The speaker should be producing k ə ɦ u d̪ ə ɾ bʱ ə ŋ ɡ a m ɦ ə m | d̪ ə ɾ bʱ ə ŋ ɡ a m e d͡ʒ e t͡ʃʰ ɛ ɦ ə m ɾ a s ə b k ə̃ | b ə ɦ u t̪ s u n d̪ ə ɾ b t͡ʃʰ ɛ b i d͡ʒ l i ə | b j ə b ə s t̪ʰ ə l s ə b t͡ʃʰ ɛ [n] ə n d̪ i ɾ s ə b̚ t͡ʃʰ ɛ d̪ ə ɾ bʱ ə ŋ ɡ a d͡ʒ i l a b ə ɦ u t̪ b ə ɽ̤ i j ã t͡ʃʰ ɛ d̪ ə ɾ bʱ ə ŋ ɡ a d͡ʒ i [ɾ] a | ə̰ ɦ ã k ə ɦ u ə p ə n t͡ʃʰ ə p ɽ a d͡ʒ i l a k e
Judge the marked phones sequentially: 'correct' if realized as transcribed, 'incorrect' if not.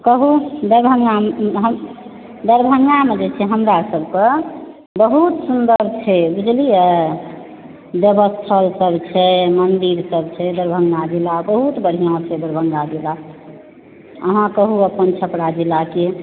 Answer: incorrect: m, incorrect: l

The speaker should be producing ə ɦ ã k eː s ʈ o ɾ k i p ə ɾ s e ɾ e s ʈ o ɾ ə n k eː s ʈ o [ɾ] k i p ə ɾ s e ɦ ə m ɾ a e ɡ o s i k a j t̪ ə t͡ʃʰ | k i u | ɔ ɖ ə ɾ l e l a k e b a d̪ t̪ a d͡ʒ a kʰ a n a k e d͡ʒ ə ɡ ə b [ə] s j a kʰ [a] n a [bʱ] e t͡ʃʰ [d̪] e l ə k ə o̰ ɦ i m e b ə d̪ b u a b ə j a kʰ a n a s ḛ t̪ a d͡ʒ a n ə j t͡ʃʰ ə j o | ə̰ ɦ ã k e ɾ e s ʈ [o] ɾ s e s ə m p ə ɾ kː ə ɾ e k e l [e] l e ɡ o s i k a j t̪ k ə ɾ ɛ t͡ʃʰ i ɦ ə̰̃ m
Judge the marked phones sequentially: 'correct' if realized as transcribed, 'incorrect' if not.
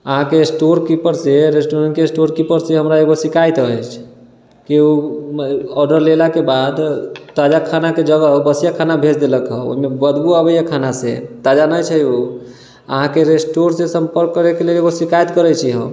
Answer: correct, correct, correct, correct, correct, correct, correct

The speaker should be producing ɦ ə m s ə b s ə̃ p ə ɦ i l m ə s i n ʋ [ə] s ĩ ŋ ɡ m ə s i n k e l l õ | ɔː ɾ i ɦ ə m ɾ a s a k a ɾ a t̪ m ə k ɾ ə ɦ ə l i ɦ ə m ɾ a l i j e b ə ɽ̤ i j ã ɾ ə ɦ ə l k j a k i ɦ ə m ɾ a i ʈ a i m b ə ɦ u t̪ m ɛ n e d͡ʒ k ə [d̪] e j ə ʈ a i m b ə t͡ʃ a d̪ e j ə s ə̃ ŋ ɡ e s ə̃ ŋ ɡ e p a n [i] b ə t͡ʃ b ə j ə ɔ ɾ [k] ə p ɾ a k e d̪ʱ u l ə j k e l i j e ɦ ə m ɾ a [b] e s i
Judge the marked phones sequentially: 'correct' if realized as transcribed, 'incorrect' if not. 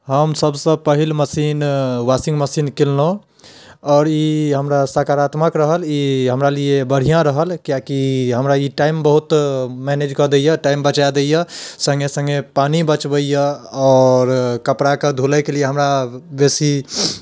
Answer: incorrect: a, correct, correct, correct, correct

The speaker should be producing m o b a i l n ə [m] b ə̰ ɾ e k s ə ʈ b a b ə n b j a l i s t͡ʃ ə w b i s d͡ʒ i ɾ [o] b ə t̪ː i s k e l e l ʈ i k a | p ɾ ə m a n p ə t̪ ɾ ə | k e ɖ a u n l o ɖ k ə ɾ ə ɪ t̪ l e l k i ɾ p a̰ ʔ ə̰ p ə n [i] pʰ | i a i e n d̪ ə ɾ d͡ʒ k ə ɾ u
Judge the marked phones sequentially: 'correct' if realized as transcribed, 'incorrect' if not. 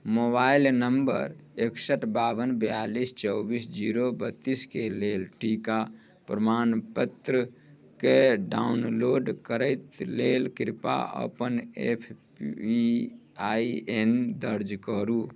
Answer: correct, correct, incorrect: e

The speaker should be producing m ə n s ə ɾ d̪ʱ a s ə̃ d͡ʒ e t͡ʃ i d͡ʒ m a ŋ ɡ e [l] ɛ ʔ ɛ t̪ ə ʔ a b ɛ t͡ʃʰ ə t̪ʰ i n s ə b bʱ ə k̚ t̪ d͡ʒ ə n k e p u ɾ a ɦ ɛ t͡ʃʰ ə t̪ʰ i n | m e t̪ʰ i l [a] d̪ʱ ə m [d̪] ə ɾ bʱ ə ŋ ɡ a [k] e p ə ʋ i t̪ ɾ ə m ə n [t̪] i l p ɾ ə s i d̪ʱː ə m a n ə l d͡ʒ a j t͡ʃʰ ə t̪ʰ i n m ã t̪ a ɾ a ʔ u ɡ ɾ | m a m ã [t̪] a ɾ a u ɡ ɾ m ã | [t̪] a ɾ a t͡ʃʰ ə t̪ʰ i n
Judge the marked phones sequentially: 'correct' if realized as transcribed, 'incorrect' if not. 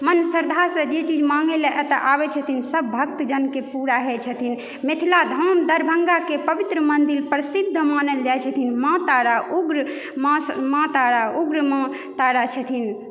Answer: correct, correct, correct, correct, incorrect: d̪, correct, correct

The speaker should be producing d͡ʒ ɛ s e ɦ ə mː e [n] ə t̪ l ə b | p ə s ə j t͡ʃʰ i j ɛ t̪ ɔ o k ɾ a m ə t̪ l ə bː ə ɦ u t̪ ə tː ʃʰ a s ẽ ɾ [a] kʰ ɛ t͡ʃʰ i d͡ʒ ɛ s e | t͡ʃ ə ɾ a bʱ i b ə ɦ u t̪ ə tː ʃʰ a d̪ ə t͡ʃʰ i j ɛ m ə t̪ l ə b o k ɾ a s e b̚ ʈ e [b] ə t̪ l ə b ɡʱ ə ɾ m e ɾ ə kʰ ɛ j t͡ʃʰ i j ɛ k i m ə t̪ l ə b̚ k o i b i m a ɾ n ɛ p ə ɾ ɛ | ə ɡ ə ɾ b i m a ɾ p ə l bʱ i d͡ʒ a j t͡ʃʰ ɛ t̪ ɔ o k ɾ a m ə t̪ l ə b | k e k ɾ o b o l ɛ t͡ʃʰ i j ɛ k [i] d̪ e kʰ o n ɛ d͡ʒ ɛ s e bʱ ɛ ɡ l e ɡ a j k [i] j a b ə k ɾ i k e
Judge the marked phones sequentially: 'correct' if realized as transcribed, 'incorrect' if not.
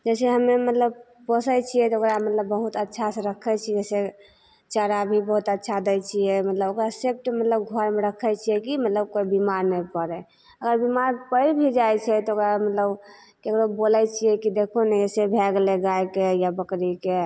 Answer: incorrect: m, incorrect: ə, incorrect: m, correct, incorrect: e

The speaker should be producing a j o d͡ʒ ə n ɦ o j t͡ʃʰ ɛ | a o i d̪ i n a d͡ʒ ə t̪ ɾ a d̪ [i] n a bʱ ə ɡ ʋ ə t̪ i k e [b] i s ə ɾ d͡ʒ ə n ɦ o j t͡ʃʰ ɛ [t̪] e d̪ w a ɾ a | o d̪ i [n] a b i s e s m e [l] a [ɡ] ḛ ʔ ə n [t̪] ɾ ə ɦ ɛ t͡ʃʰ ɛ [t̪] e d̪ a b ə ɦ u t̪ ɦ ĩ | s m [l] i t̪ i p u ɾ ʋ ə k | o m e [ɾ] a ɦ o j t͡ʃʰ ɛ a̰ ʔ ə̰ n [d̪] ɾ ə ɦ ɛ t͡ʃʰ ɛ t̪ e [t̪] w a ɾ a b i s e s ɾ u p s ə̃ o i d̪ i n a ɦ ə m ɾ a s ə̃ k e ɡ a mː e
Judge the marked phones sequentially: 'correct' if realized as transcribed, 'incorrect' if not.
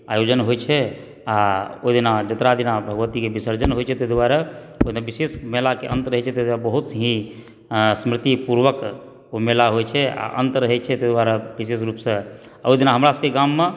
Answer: correct, correct, correct, correct, correct, incorrect: k, correct, correct, incorrect: ɾ, incorrect: l, incorrect: t̪, incorrect: d̪

